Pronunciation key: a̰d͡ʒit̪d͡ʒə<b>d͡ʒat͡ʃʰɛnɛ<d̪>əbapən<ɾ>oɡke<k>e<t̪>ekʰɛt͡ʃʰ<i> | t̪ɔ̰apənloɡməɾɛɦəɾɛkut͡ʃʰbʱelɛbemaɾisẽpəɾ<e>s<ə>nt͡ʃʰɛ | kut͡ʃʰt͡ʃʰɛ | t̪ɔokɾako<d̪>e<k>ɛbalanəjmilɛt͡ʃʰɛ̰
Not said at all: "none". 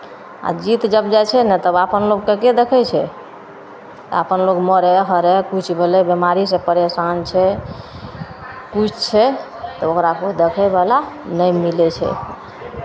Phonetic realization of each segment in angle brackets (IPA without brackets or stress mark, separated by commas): b, t̪, l, k, d̪, ɛ, e, a, d̪, kʰ